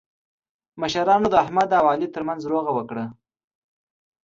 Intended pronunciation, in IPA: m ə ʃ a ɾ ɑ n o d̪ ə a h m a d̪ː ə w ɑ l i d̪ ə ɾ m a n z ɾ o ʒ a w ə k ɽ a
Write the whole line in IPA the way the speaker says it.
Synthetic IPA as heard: m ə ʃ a ɾ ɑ n o d̪ ə a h m a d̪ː a w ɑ l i t̪ ə ɾ m a n z ɾ o ɣ a w ə k ɽ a